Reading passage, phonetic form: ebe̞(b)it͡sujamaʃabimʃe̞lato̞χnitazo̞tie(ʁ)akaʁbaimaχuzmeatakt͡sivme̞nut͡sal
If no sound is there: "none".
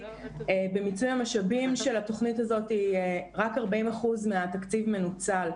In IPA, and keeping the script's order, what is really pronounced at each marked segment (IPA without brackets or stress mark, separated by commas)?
m, ʁ